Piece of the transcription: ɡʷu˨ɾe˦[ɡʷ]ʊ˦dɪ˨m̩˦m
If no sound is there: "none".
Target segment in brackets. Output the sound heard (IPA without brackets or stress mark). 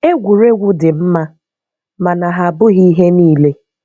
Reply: ɡʷ